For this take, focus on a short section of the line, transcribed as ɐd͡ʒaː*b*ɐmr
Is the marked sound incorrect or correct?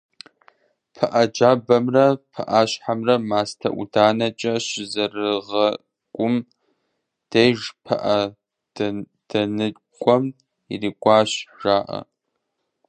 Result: correct